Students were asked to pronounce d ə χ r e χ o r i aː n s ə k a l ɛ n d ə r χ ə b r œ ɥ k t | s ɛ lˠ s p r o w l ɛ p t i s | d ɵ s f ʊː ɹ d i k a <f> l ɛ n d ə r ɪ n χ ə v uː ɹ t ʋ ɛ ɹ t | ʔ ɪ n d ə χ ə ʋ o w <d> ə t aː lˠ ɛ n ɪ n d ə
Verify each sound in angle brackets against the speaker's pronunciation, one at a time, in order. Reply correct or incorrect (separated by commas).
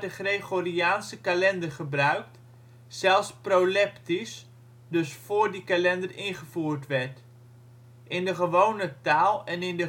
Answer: incorrect, incorrect